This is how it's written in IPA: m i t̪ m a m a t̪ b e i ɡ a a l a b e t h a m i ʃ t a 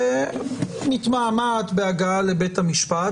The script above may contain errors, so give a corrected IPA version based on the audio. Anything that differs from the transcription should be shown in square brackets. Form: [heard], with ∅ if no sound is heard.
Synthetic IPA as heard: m i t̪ m a m a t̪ b e [a] ɡ a a l [e] b e t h a m i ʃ [p] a